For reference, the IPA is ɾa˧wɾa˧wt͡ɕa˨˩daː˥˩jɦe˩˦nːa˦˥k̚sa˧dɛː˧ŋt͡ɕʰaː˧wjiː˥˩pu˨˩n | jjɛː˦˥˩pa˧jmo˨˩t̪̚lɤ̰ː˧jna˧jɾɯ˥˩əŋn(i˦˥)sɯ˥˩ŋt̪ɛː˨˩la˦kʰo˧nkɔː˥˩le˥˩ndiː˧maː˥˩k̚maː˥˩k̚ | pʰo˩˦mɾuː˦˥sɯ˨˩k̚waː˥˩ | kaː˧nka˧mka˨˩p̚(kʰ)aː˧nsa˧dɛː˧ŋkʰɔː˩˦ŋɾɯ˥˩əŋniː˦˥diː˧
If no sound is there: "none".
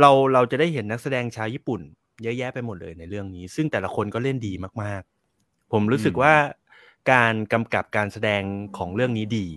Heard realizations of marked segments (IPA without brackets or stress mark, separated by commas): iː˦˥, k